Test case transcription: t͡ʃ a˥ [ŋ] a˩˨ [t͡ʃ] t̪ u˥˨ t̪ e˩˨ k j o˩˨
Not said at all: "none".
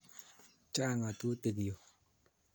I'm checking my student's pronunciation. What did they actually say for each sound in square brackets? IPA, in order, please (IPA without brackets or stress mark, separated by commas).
ŋ, none